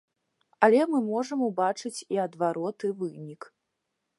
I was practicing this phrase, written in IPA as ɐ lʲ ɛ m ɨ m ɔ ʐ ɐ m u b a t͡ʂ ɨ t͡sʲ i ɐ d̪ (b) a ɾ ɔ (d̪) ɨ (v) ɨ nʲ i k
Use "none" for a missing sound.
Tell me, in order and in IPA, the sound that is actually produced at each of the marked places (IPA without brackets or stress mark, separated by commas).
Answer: v, t̪, v